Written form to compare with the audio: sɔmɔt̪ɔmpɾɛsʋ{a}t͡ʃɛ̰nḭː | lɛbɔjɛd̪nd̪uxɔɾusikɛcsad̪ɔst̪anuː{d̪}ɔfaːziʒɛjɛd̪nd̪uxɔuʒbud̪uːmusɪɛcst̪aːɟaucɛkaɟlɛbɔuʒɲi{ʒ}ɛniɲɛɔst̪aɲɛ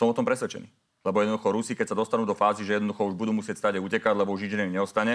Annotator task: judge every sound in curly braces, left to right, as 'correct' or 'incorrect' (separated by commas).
incorrect, correct, incorrect